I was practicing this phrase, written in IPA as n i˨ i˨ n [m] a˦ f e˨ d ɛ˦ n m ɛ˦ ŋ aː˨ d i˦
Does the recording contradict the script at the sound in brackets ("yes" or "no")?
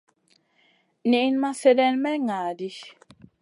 no